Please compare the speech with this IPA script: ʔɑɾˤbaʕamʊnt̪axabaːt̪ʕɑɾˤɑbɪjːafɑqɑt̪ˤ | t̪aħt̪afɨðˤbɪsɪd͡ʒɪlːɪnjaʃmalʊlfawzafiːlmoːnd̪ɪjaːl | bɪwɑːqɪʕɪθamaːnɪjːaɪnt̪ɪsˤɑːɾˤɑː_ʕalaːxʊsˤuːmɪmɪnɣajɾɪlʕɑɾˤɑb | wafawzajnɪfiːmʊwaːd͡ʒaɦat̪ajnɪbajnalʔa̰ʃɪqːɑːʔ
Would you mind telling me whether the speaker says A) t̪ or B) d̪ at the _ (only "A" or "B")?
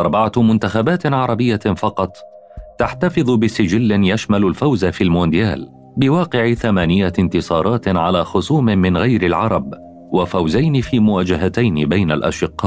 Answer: A